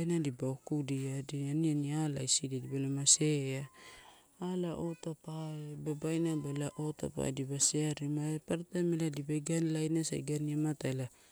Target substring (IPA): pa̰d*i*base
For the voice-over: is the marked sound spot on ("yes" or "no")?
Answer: yes